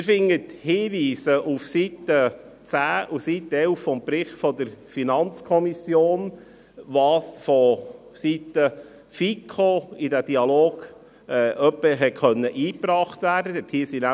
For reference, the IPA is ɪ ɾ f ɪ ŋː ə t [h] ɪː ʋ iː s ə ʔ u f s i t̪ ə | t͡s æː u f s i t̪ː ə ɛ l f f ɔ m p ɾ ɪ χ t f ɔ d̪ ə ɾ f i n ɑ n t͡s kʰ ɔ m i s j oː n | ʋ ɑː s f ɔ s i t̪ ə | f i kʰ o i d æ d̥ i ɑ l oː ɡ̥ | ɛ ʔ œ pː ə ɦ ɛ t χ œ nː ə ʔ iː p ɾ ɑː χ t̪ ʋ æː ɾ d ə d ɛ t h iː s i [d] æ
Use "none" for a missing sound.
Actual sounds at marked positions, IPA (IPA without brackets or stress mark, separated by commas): h, n